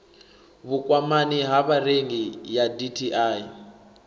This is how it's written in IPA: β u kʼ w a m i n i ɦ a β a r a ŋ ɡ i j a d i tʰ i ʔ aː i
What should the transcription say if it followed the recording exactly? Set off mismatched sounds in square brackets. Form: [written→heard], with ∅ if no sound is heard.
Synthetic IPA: β u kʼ w a m [i→a] n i ɦ a β a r [a→e] ŋ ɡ i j a d i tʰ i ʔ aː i